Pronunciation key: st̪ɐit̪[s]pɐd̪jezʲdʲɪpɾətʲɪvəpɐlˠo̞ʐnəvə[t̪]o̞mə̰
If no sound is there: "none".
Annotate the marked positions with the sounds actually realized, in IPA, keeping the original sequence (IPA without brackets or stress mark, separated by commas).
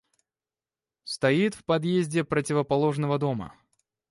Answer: f, d̪